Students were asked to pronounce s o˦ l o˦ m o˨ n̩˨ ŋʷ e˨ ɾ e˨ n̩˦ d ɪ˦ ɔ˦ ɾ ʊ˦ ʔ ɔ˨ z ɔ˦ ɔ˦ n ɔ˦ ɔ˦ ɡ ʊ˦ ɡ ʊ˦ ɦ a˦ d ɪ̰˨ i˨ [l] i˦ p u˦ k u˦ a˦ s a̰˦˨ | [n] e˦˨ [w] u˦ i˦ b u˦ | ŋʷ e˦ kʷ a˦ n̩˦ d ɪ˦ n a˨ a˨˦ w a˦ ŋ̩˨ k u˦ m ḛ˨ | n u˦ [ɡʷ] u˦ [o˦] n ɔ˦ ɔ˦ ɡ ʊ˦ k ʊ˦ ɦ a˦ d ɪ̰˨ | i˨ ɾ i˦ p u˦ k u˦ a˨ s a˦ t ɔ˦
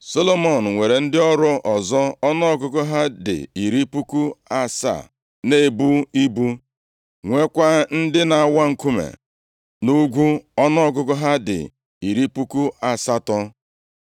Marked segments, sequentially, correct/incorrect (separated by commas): incorrect, correct, incorrect, correct, incorrect